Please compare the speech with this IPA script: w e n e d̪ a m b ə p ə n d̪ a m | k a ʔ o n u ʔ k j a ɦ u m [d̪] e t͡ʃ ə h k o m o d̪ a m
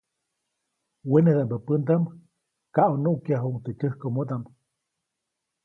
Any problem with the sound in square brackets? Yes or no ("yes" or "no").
yes